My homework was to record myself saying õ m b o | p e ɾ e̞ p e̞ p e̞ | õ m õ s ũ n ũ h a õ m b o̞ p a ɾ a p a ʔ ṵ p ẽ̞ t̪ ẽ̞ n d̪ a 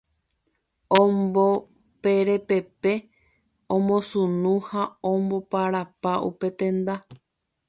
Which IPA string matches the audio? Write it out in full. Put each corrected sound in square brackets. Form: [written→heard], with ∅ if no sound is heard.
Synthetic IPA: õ m b o | p e ɾ e̞ p e̞ p e̞ | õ m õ s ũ n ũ h a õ m b o̞ p a ɾ a p a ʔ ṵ p [ẽ̞→e̞] t̪ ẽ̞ n d̪ a